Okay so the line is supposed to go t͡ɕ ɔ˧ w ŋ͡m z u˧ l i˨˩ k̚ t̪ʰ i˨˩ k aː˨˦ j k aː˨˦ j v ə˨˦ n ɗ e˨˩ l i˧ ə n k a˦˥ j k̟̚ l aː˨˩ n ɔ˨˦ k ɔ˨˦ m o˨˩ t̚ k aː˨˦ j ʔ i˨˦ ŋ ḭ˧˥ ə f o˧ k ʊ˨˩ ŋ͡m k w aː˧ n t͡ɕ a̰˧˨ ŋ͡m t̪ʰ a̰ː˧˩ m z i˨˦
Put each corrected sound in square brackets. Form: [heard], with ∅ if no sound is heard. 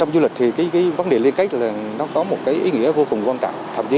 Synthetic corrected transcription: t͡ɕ ɔ˧ w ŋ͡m z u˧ l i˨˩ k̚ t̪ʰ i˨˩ k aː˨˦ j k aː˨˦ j v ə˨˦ n ɗ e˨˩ l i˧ ə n k a˦˥ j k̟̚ l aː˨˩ n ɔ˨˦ k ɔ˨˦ m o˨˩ t̚ k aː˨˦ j ʔ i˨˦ ŋ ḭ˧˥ ə [v] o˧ k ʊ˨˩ ŋ͡m k w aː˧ n t͡ɕ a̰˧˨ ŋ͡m t̪ʰ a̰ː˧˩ m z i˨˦